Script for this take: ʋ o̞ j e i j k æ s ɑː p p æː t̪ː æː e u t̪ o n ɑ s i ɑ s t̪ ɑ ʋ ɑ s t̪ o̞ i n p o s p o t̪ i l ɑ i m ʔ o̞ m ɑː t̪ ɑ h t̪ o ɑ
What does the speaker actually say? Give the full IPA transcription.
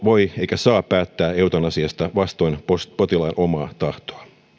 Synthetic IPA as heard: ʋ o̞ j e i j k æ s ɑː p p æː t̪ː æː e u t̪ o n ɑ s i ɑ s t̪ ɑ ʋ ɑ s t̪ o̞ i n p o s p o t̪ i l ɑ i n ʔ o̞ m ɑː t̪ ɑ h t̪ o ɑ

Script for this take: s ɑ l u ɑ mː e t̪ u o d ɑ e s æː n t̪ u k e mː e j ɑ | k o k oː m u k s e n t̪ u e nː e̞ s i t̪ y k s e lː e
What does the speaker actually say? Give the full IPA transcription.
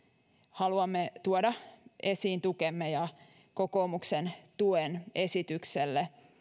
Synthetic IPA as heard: h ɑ l u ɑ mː e t̪ u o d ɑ e s iː n t̪ u k e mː e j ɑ | k o k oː m u k s e n t̪ u e n e̞ s i t̪ y k s e lː e

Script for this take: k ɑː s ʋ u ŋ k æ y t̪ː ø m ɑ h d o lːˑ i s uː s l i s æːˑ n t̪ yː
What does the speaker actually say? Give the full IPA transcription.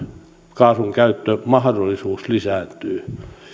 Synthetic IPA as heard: k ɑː s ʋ u ŋ k æ y t̪ː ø m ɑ h d o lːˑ i s uː s l i s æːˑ n t̪ yː

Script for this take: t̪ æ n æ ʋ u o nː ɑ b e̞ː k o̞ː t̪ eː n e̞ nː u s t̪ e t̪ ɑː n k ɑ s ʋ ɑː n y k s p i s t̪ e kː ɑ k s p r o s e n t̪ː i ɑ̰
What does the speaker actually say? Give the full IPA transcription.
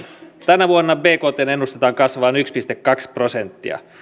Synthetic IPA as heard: t̪ æ n æ ʋ u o nː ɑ b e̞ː k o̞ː t̪ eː n e̞ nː u s t̪ e t̪ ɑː ŋ k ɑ s ʋ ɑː n y k s p i s t̪ e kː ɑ k s p r o s e n t̪ː i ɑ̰

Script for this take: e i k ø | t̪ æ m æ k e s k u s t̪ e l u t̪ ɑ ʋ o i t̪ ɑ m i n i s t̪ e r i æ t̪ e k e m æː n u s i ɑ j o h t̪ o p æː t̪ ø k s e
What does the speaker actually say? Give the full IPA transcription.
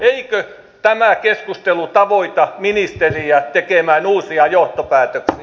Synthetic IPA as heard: e i k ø | t̪ æ m æ k e s k u s t̪ e l u t̪ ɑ ʋ o i t̪ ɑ m i n i s t̪ e r i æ t̪ e k e m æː n uː s i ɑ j o h t̪ o p æː t̪ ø k s i

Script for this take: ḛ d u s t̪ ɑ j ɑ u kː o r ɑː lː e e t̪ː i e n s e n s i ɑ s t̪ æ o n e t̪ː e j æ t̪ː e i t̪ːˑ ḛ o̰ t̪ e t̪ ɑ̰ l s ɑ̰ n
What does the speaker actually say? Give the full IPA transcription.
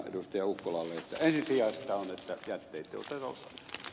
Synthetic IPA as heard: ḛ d u s t̪ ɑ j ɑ u kː o l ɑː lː e e t̪ː æ e n s i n s i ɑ s t̪ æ o n e t̪ː æ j æ t̪ː e i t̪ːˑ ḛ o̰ t̪ e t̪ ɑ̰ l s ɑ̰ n

